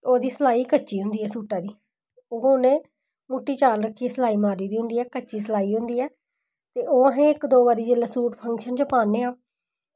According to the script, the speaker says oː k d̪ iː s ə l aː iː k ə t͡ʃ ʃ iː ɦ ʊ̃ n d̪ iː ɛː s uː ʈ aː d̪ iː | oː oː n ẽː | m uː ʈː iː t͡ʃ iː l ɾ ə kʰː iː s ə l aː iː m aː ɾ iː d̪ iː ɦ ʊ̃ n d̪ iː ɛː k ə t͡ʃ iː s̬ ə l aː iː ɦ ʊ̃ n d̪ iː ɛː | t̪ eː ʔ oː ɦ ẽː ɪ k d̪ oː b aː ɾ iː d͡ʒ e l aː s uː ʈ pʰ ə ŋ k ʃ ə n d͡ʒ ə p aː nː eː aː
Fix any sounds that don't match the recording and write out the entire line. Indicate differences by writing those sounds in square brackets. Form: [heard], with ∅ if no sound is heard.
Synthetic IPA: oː [∅] d̪ iː s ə l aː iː k ə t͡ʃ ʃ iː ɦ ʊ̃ n d̪ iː ɛː s uː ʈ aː d̪ iː | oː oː n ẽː | m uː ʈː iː t͡ʃ [aː] l ɾ ə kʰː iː s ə l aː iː m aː ɾ iː d̪ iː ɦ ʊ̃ n d̪ iː ɛː k ə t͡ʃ iː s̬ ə l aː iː ɦ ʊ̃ n d̪ iː ɛː | t̪ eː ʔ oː ɦ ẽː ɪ k d̪ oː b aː ɾ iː d͡ʒ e l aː s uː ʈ pʰ ə ŋ k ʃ ə n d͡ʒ ə p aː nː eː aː